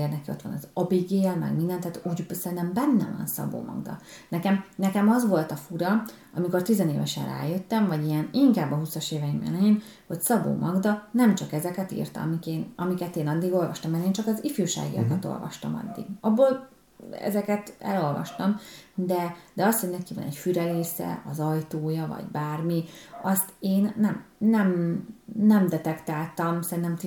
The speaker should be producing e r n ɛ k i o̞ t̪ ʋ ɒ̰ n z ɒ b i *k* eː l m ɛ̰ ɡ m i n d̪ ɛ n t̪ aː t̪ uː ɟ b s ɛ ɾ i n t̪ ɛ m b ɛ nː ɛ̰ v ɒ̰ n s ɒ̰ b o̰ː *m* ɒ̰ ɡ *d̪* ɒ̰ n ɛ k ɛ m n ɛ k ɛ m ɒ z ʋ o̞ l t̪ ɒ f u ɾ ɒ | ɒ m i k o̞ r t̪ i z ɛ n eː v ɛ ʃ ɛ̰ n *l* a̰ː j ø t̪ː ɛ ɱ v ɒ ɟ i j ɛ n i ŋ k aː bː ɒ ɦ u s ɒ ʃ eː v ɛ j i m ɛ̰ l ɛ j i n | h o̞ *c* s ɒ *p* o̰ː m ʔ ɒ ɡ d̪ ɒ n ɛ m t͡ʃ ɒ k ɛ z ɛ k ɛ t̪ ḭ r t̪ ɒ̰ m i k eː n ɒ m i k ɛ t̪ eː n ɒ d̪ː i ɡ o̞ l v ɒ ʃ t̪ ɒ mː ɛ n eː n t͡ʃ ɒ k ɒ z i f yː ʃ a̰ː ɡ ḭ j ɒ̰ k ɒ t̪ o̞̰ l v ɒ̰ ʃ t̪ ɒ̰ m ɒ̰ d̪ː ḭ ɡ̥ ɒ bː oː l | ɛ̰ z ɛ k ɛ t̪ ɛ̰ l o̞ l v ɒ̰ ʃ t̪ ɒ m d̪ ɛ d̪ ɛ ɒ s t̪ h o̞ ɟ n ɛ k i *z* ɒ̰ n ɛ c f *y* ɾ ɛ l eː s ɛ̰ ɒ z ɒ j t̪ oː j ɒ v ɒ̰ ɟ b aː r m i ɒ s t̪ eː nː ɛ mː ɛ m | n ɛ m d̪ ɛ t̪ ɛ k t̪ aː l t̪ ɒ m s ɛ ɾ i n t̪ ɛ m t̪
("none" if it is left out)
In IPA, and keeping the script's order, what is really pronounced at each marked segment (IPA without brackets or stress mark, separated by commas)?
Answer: ɡ, m, d̪, r, c, b, v, y